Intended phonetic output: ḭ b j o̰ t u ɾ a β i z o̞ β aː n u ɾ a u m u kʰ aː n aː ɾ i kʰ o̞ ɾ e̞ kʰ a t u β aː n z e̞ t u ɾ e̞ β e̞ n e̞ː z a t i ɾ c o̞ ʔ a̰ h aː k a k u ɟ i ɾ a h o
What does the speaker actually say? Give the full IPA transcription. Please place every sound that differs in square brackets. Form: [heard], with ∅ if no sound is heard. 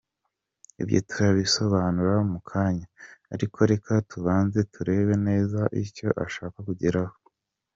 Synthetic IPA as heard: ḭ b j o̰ t u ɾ a β i [s] o̞ β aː n u ɾ a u m u kʰ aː [ɲ] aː ɾ i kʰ o̞ ɾ e̞ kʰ a t u β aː n z e̞ t u ɾ e̞ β e̞ n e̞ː z a [ʔ] i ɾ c o̞ ʔ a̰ [ʃ] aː k a k u ɟ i ɾ a h o